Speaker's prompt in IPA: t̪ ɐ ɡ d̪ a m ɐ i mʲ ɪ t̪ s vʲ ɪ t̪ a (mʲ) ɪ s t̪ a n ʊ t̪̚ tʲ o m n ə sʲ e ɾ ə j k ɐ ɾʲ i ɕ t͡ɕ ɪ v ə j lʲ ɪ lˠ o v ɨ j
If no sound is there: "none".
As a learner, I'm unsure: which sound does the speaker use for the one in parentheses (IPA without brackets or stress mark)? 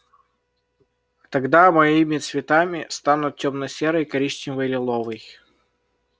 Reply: mʲ